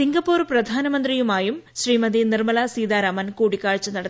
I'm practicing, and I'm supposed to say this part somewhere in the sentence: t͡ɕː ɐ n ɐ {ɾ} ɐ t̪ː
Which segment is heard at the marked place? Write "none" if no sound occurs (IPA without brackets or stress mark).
ɽ